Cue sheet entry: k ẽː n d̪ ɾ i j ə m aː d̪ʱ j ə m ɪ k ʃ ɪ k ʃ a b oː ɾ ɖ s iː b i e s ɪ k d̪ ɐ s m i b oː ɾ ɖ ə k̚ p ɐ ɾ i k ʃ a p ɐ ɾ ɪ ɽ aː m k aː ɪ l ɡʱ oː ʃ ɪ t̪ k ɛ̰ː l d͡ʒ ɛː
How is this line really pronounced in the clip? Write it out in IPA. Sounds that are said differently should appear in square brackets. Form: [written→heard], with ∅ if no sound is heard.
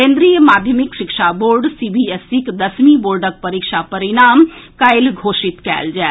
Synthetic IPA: k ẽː n d̪ ɾ i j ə m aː d̪ʱ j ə m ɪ k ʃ ɪ k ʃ a b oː ɾ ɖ s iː b i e s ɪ k d̪ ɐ s m i b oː ɾ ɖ ə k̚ p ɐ ɾ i k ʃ a p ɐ ɾ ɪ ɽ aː m k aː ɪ l ɡʱ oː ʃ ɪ t̪ k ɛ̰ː l d͡ʒ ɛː